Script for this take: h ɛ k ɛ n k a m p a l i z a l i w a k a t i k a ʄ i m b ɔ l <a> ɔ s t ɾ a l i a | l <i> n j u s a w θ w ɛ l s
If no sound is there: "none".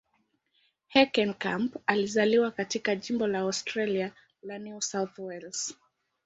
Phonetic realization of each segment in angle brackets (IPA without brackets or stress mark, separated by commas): a, a